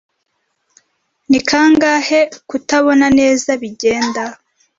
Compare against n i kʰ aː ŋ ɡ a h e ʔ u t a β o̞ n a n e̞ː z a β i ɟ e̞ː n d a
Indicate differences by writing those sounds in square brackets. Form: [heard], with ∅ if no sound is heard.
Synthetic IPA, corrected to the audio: n i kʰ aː ŋ ɡ a h e [k] u t a β o̞ n a n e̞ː z a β i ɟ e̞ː n d a